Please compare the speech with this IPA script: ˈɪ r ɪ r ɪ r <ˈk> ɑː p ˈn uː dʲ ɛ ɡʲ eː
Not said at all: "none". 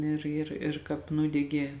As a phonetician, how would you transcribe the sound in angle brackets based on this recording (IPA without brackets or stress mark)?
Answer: k